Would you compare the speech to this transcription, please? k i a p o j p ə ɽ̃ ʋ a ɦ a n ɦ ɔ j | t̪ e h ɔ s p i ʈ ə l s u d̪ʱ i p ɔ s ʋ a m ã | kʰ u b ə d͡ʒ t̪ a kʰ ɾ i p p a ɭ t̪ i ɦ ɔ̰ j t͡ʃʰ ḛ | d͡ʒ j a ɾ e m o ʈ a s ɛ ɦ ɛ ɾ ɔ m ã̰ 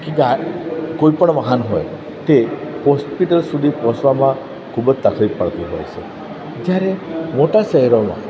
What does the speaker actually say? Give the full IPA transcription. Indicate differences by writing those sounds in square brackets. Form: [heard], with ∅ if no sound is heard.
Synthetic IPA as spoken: k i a [k] o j p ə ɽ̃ ʋ a ɦ a n ɦ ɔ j | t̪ e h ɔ s p i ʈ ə l s u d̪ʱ i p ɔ s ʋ a m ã | kʰ u b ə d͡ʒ t̪ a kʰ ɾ i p p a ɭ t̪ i ɦ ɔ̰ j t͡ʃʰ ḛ | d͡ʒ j a ɾ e m o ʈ a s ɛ ɦ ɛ ɾ ɔ m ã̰